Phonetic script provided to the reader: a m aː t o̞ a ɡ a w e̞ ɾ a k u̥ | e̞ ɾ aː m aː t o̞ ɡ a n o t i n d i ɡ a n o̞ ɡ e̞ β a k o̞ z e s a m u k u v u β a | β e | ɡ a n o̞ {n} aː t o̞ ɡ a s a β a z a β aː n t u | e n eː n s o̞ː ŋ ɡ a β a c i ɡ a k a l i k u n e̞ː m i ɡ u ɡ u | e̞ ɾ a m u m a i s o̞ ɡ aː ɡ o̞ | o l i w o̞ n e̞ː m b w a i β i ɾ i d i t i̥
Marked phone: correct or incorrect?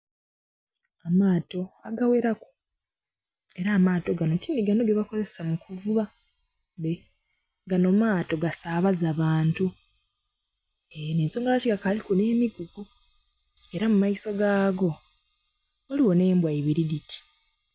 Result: incorrect